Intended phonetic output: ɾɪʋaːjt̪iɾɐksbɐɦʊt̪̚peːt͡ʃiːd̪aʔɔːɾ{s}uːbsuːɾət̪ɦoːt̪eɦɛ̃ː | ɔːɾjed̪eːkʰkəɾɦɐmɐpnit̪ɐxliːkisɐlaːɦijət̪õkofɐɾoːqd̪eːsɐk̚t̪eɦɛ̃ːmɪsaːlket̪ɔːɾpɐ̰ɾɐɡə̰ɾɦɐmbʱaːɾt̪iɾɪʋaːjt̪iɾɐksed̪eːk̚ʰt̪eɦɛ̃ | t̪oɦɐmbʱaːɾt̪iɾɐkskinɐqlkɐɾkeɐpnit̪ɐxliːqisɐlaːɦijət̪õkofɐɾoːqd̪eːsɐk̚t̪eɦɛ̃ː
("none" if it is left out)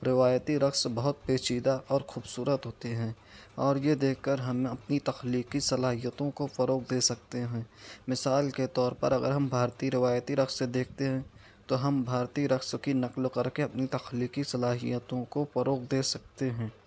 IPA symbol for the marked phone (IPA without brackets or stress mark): x